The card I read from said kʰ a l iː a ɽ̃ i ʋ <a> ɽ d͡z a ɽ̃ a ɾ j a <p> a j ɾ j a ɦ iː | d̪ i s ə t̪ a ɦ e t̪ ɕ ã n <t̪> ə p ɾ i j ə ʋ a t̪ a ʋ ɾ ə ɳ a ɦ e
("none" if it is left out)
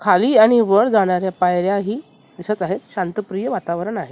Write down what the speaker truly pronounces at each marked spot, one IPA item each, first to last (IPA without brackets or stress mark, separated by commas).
ə, p, t̪